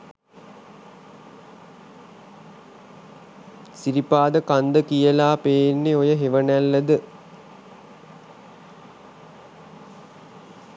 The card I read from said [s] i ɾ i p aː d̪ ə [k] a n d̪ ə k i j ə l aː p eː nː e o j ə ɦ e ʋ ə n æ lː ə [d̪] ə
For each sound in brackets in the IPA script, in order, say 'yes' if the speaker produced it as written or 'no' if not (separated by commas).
yes, yes, yes